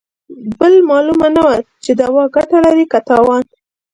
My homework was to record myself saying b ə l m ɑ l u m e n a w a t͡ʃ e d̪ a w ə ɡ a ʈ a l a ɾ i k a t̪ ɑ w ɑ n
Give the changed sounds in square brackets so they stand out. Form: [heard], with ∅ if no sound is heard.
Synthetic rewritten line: b ə l m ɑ l u m [a] n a w a t͡ʃ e d̪ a w [ɑ] ɡ a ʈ a l a ɾ i k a t̪ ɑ w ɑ n